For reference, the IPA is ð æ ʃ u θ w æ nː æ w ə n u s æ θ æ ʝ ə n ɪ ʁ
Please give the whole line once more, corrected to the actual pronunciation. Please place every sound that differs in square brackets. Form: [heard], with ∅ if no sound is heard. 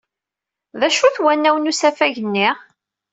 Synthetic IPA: ð æ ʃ u θ w æ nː æ w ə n u s æ [f] æ ʝ ə [nː] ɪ ʁ